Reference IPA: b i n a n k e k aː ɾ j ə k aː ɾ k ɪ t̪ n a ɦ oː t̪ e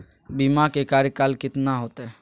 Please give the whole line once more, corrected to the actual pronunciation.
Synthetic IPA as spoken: b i m a k e k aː ɾ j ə k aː l k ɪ t̪ n a ɦ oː t̪ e